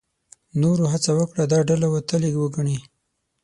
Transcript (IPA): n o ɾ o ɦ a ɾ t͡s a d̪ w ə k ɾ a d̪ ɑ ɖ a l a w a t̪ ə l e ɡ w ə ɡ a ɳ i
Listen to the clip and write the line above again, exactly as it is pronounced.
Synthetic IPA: n o ɾ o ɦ a t͡s a w ə k ɽ a d̪ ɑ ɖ a l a w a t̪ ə l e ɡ w ə ɡ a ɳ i